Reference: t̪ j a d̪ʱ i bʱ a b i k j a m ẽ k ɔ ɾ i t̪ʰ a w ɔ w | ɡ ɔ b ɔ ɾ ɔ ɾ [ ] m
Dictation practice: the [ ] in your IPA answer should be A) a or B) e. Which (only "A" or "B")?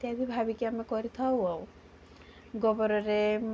B